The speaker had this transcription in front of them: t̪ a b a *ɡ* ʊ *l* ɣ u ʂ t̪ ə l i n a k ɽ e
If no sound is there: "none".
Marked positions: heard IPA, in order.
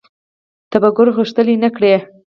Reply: ɡ, ɾ

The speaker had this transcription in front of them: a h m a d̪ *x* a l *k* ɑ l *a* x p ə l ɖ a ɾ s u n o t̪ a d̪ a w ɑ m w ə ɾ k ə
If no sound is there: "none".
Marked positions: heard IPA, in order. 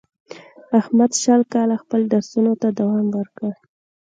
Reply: ʃ, k, a

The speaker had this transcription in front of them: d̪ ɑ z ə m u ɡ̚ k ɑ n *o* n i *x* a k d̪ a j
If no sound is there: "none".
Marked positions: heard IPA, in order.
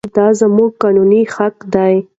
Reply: u, x

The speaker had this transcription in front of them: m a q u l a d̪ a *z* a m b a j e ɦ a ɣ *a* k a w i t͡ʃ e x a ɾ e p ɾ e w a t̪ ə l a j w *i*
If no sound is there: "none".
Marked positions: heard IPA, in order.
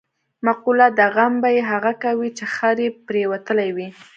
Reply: ɣ, a, i

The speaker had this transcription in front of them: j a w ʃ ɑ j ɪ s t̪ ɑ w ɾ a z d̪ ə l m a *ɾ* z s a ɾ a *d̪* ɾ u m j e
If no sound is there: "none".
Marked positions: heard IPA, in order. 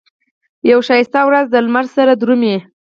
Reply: ɾ, d̪

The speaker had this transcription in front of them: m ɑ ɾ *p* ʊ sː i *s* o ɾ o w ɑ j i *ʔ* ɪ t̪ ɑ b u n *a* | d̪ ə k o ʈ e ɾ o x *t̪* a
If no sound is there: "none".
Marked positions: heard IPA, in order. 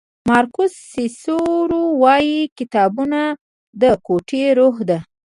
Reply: k, s, k, a, d̪

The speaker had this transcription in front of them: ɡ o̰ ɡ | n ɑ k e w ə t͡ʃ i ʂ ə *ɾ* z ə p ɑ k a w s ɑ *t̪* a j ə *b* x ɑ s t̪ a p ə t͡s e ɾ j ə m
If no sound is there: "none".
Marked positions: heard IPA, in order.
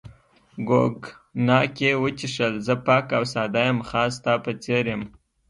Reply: l, d̪, m

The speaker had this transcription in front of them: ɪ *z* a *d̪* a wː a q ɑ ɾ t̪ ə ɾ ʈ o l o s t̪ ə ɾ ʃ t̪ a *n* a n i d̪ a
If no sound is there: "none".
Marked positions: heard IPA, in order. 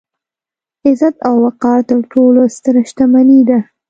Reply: z, t̪, m

